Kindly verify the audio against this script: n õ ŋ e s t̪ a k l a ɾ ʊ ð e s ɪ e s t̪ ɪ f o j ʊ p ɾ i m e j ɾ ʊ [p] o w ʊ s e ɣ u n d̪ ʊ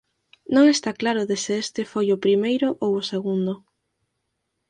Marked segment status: incorrect: ʔ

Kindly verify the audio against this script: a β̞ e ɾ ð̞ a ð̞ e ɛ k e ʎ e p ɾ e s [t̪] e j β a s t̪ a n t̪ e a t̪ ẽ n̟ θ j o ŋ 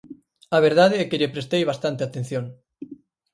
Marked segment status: correct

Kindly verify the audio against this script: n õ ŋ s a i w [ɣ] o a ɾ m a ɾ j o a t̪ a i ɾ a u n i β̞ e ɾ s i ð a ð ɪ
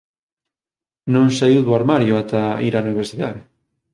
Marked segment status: incorrect: ð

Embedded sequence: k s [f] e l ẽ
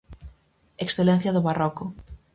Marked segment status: incorrect: θ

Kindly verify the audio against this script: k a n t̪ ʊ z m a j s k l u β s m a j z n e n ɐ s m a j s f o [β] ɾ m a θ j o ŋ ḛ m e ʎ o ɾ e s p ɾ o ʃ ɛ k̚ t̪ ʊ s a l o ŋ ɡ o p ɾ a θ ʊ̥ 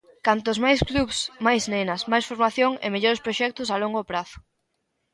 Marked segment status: incorrect: none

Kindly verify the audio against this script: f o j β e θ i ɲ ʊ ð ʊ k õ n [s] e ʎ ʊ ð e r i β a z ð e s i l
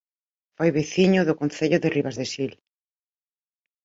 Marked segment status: incorrect: θ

